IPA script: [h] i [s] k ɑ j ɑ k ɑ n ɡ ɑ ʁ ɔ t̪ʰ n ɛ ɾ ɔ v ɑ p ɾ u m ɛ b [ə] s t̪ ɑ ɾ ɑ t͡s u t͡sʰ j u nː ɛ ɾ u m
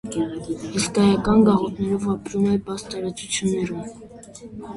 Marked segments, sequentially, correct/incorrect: correct, correct, incorrect

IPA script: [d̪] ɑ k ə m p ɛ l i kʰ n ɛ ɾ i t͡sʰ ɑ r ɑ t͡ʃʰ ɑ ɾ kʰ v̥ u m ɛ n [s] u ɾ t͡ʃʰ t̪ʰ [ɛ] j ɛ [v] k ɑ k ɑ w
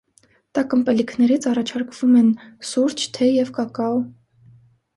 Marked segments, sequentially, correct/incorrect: incorrect, correct, correct, correct

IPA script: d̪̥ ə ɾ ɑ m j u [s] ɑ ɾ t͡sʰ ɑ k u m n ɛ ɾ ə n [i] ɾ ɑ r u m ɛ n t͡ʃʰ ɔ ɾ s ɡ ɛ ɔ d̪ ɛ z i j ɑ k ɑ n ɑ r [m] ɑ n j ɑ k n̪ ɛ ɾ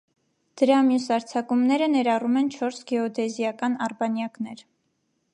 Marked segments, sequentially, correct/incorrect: correct, incorrect, incorrect

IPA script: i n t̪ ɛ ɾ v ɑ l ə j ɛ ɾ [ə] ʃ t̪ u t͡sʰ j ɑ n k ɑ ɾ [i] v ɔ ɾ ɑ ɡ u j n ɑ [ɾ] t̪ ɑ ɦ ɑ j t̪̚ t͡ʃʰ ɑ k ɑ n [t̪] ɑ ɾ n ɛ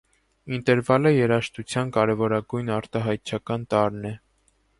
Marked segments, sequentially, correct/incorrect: incorrect, incorrect, correct, correct

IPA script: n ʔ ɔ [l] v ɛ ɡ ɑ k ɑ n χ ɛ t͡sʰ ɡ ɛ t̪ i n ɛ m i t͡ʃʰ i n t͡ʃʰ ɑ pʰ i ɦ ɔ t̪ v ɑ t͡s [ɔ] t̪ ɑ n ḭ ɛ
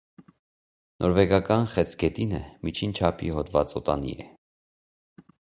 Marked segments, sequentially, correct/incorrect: incorrect, correct

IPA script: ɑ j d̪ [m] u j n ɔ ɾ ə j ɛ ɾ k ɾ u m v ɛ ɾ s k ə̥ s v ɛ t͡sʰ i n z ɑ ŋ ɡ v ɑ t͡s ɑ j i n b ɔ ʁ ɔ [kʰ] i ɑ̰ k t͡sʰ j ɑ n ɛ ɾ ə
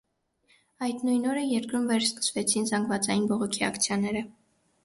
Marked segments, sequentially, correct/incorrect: incorrect, correct

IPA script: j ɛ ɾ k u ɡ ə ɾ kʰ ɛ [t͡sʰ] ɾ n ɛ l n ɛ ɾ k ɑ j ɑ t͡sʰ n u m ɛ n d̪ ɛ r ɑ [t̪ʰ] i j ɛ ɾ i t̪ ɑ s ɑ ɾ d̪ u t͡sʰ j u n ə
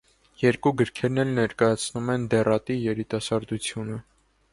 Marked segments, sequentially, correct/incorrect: incorrect, incorrect

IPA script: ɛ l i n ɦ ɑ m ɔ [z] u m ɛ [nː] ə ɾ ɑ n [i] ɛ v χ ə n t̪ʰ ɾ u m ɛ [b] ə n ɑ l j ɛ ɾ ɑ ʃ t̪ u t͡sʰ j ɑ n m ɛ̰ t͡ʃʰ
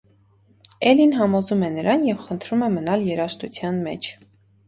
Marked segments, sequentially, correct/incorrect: correct, incorrect, incorrect, incorrect

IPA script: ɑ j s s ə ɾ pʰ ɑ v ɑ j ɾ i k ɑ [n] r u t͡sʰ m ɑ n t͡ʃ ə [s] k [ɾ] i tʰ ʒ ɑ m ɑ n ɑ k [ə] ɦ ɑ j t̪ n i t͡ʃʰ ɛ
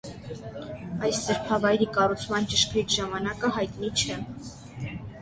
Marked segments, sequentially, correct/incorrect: incorrect, incorrect, correct, correct

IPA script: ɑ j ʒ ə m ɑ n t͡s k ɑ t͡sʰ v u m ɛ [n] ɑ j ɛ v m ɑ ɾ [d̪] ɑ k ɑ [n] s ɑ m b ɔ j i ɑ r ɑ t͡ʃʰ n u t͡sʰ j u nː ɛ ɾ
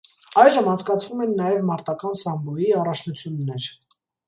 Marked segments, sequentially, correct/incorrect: incorrect, incorrect, correct

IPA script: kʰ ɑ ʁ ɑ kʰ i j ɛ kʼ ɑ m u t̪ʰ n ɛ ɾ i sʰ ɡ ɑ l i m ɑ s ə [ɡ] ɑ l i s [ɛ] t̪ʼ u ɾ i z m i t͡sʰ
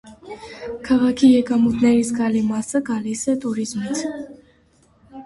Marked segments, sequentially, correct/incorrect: correct, correct

